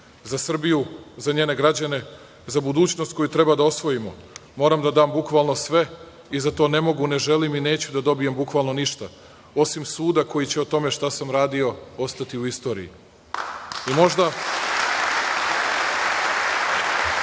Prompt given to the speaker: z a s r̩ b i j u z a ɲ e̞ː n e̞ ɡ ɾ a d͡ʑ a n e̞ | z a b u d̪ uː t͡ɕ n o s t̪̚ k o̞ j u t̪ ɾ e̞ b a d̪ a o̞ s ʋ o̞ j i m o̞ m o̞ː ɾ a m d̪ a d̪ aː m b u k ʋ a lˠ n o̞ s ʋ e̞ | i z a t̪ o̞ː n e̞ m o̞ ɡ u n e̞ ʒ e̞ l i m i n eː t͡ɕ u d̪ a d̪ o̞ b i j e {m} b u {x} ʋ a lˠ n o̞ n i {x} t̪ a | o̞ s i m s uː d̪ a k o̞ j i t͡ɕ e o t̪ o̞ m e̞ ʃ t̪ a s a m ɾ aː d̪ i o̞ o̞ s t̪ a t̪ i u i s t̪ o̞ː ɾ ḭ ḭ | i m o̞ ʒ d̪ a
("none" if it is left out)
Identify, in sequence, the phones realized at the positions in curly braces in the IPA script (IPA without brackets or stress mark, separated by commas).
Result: m, k, ʃ